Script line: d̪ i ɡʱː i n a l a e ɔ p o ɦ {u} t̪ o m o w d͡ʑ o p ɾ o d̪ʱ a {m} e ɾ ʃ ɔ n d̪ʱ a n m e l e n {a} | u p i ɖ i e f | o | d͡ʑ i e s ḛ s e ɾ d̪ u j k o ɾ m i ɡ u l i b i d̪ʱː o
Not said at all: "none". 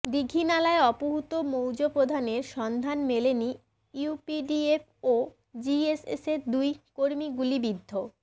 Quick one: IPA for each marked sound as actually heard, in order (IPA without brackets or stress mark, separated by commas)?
u, n, i